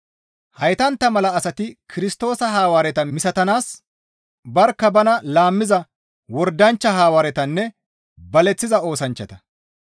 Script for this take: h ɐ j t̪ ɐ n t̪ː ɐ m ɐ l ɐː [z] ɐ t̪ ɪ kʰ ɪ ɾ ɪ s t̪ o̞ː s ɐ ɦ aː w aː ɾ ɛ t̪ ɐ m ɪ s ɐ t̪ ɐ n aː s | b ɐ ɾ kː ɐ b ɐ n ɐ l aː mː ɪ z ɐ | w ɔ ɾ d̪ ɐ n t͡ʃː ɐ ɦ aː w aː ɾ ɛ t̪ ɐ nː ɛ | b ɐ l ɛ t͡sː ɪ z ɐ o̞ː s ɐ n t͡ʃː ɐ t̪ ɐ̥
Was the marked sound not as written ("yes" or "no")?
yes